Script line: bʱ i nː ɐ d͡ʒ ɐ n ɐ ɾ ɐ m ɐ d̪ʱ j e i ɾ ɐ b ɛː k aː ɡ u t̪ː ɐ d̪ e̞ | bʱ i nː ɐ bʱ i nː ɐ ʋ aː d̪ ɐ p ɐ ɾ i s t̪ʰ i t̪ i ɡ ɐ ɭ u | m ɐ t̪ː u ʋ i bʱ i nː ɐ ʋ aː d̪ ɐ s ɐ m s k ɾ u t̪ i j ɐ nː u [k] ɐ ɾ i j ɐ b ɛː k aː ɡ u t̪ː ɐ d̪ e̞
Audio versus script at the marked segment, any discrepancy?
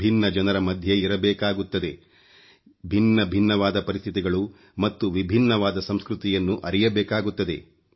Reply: yes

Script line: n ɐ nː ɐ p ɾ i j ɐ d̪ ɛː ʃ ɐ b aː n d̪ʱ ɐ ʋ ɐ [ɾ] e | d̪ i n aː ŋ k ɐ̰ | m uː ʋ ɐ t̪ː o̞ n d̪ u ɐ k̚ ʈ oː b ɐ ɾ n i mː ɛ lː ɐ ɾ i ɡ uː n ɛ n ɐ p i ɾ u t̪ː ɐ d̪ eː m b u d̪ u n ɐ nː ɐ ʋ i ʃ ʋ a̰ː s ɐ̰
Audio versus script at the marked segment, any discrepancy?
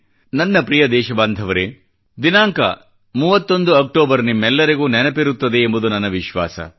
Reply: no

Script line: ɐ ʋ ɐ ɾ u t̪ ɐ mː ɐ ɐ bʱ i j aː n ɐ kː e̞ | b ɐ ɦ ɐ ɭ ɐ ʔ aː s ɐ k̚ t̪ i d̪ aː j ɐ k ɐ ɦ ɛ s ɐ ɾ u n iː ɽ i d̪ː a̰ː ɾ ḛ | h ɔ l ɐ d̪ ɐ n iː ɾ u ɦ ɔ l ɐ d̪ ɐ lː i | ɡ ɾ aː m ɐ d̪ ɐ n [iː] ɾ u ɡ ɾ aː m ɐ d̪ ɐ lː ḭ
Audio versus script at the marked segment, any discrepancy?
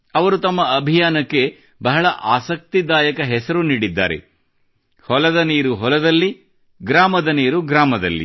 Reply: no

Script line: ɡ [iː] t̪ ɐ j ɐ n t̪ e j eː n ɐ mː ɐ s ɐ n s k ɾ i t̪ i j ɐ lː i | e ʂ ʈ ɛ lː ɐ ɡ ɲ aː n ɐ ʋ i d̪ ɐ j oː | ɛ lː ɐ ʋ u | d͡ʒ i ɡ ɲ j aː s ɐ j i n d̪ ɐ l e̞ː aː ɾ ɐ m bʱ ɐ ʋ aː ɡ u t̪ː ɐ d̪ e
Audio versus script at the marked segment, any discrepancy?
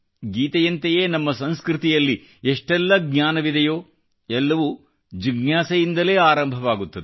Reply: no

